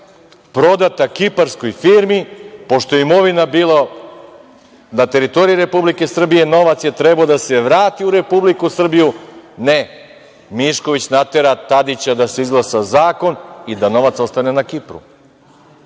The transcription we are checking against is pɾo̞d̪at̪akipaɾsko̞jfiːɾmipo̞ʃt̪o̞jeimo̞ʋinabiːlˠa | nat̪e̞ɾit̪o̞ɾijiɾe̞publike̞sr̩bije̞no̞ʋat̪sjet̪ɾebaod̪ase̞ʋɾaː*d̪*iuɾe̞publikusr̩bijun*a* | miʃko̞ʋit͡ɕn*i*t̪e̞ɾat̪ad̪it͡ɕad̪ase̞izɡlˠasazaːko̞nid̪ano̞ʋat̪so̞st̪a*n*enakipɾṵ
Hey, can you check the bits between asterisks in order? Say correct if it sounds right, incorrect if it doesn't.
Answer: incorrect, incorrect, incorrect, correct

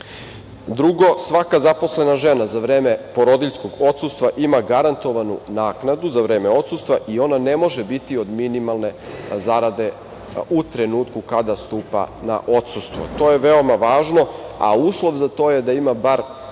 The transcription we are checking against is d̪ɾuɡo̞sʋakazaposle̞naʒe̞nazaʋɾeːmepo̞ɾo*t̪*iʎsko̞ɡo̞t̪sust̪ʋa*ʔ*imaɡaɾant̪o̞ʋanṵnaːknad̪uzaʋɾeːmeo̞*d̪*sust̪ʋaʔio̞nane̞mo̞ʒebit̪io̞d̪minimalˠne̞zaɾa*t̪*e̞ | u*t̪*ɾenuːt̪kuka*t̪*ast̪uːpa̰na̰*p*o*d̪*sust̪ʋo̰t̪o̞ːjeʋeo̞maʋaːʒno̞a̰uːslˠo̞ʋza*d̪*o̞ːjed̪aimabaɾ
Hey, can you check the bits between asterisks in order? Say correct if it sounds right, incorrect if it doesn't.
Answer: incorrect, correct, incorrect, incorrect, correct, incorrect, incorrect, incorrect, incorrect

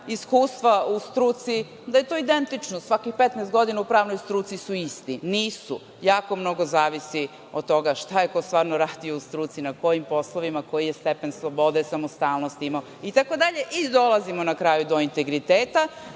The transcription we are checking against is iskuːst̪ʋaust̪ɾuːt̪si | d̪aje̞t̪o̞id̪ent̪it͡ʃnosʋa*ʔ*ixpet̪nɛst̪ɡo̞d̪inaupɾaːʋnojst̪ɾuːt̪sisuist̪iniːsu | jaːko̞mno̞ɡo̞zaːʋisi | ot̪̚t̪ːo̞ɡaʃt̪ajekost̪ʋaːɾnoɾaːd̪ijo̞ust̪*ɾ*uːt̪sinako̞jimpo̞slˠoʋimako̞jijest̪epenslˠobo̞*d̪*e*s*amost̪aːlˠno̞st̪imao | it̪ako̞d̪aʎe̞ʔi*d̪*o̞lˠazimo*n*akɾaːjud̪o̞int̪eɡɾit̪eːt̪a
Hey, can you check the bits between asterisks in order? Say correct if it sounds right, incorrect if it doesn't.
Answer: incorrect, correct, correct, correct, correct, correct

